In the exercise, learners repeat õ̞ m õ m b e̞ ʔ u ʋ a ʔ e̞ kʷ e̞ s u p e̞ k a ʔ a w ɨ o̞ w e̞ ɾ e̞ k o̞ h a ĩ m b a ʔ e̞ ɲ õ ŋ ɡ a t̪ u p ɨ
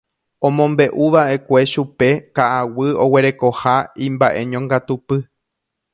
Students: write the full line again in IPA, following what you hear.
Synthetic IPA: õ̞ m õ m b e̞ ʔ u ʋ a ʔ e̞ kʷ e̞ ʃ u p e̞ k a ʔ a w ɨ o̞ w e̞ ɾ e̞ k o̞ h a ĩ m b a ʔ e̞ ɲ õ ŋ ɡ a t̪ u p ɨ